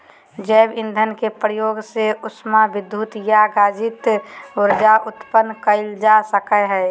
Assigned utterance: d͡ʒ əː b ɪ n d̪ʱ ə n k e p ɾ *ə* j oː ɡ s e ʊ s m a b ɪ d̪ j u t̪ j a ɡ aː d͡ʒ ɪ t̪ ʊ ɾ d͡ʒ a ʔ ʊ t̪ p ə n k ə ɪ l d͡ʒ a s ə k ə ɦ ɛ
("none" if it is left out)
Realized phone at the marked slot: ə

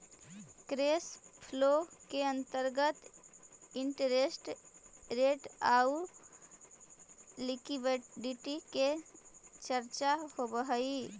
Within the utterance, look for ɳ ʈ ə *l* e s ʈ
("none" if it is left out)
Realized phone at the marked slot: ɾ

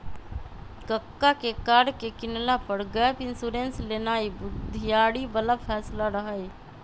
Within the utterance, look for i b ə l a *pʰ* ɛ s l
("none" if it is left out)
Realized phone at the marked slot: pʰ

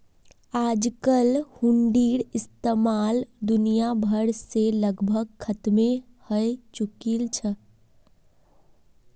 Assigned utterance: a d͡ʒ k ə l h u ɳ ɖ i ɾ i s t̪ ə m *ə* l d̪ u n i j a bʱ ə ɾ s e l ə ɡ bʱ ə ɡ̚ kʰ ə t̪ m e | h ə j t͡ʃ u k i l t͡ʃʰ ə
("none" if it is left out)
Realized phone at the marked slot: a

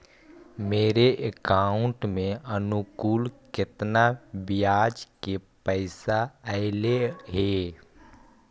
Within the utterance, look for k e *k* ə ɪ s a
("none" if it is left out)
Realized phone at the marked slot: p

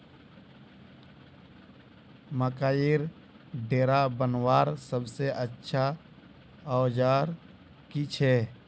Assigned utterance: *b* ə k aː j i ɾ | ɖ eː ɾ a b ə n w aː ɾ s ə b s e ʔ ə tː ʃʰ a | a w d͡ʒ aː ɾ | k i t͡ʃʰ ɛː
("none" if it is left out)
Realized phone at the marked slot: m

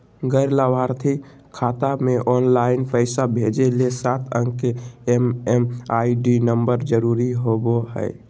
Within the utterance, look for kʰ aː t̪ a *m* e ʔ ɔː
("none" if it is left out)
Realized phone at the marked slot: m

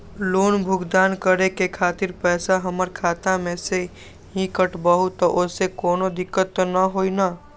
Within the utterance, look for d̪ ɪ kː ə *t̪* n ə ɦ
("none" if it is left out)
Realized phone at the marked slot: t̪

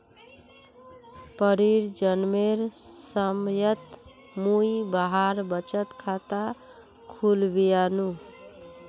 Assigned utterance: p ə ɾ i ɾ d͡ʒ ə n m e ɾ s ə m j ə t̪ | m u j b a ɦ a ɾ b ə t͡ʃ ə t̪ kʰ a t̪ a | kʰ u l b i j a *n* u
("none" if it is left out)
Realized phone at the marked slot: n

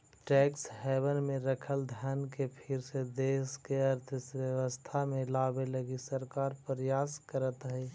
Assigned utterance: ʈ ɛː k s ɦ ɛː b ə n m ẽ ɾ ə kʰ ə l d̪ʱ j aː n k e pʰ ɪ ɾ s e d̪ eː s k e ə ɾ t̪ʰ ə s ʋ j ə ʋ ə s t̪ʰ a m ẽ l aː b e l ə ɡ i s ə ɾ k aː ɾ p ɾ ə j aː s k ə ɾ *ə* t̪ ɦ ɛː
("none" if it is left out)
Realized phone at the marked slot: ə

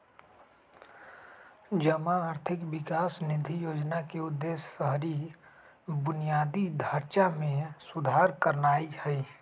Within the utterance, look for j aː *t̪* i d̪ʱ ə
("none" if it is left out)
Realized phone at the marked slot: d̪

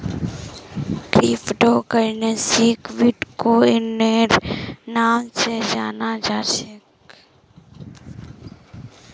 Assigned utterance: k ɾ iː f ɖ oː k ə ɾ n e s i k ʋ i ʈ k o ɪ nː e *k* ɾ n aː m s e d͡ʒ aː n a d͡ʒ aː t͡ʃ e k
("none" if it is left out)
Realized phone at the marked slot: none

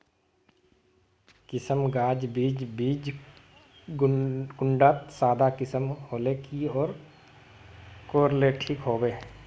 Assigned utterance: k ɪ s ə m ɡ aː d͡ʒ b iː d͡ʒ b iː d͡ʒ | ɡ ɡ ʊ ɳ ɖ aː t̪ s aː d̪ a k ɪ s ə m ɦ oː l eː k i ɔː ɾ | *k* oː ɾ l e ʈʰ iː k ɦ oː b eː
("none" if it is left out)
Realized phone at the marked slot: k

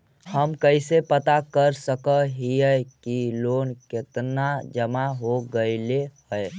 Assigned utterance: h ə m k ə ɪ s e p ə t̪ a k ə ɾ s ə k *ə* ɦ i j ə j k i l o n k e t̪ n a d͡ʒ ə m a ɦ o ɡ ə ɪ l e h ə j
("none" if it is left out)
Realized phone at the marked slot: ə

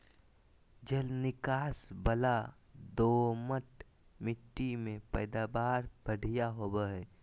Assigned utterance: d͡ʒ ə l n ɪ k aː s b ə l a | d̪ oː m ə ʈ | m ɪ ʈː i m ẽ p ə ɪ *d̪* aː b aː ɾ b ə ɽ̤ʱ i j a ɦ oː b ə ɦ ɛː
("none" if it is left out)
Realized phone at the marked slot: d̪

